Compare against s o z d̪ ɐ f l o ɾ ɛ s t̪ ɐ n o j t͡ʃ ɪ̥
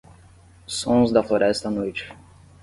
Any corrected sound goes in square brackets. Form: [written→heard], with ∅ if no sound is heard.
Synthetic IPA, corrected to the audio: s [o→õ] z d̪ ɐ f l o ɾ ɛ s t̪ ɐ n o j t͡ʃ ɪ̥